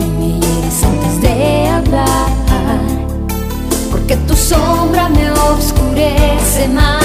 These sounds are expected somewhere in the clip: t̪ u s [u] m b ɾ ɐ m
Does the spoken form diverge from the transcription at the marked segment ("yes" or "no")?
yes